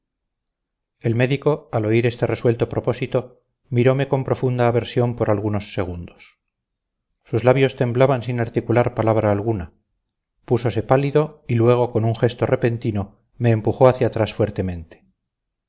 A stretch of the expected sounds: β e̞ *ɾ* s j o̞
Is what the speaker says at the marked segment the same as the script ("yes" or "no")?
yes